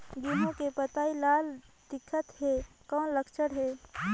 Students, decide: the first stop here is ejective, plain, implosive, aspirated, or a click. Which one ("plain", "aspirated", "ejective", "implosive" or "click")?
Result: plain